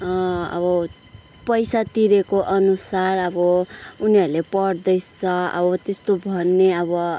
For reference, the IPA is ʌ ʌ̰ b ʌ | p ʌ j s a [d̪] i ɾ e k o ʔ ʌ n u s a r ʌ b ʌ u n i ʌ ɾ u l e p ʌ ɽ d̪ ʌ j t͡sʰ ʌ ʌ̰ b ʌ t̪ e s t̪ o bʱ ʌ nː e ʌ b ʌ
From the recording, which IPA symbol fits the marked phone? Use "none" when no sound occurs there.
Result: t̪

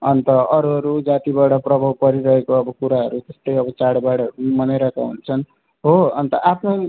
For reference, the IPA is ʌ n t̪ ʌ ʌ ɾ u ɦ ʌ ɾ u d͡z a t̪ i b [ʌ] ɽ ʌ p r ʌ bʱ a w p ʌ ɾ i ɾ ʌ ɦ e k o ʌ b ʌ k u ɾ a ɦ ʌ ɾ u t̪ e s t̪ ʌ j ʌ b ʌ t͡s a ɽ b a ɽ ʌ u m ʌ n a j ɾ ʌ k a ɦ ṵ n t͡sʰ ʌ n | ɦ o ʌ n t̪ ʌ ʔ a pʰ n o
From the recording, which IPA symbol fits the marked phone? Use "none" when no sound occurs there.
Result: a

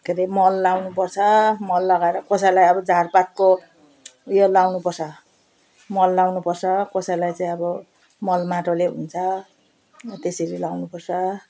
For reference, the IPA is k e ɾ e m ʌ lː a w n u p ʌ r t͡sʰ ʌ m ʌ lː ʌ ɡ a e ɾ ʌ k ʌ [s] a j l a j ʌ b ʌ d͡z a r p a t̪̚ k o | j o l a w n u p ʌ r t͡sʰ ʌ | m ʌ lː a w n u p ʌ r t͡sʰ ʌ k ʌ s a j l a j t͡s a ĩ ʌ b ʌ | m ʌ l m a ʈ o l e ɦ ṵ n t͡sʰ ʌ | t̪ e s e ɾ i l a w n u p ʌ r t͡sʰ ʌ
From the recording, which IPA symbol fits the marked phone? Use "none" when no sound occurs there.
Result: s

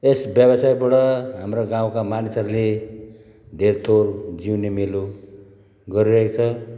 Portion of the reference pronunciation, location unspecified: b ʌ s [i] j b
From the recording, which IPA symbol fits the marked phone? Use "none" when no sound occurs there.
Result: a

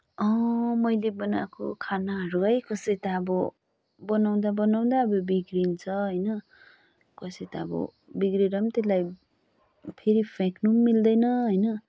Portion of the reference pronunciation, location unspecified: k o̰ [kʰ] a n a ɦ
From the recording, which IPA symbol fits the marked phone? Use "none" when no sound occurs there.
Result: kʰ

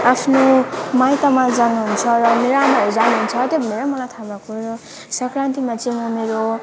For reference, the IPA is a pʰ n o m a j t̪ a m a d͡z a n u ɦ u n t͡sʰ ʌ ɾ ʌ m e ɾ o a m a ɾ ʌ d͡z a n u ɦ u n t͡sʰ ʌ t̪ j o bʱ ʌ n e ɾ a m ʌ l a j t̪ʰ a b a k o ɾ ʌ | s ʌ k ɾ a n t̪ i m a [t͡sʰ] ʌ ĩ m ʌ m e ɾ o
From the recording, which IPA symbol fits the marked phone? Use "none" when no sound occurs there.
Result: t͡s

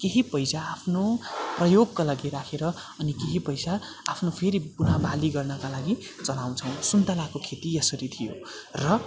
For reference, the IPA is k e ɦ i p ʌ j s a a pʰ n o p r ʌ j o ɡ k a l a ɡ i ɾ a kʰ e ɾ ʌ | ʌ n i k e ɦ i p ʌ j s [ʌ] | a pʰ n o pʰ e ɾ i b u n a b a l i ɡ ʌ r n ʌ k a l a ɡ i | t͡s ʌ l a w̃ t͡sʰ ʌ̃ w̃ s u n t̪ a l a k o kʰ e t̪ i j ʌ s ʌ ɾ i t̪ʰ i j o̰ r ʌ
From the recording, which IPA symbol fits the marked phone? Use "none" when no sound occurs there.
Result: a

